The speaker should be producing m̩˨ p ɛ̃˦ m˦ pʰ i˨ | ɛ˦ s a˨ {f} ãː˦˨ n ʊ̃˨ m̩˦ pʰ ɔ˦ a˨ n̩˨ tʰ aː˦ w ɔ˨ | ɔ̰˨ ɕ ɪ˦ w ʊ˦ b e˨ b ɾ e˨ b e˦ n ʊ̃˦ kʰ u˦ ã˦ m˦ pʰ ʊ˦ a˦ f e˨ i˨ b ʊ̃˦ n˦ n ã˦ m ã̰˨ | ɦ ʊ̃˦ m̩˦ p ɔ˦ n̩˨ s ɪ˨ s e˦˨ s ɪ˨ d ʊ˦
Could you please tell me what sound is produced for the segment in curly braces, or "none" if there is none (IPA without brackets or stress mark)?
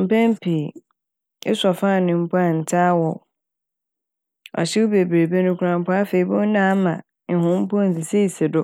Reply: f